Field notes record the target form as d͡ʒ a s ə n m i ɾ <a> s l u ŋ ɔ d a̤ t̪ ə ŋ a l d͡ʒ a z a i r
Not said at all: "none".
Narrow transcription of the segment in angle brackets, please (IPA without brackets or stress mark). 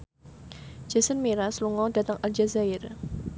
a